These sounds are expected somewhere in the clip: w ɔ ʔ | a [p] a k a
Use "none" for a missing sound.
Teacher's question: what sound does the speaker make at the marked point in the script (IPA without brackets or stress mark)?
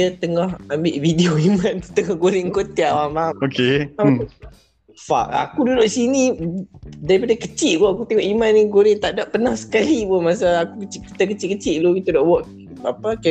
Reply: p